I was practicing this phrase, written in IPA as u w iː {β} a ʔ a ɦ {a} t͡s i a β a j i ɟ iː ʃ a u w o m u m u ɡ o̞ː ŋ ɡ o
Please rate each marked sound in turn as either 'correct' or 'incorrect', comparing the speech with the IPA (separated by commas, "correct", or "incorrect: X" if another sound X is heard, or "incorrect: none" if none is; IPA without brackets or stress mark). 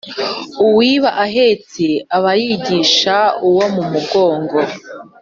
correct, incorrect: e